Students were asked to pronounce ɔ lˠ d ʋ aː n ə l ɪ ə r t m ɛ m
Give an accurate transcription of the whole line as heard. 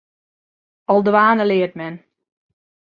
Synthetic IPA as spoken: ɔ lˠ d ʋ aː n ə l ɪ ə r t m ɛ n